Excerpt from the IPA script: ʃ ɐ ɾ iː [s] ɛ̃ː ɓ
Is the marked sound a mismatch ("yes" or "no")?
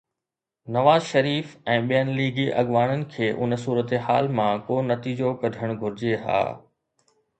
yes